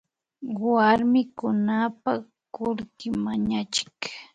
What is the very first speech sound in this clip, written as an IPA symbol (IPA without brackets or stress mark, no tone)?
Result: w